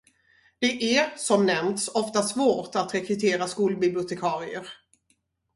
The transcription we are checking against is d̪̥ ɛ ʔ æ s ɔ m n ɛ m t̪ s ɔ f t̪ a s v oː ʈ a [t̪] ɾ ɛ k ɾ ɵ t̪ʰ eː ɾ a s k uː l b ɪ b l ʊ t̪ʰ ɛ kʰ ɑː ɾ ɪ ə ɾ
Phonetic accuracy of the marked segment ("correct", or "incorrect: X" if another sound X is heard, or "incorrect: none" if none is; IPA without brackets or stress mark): correct